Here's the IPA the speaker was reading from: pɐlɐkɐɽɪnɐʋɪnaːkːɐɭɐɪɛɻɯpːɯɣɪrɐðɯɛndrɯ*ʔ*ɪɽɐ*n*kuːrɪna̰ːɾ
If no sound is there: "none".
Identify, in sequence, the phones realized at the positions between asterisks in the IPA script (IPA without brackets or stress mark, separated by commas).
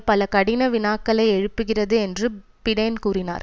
p, n